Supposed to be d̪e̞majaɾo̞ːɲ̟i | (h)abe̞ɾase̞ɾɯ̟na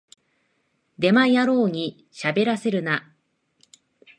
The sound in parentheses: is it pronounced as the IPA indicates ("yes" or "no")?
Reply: no